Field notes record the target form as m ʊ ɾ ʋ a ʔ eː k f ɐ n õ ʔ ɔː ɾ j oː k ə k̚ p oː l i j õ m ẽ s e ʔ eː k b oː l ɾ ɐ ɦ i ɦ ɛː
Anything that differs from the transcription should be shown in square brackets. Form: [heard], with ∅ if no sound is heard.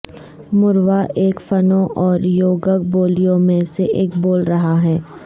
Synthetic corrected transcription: m ʊ ɾ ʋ a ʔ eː k f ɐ n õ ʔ ɔː ɾ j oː [ɡ] ə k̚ [b] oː l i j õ m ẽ s e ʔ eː k b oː l ɾ ɐ ɦ [a] ɦ ɛː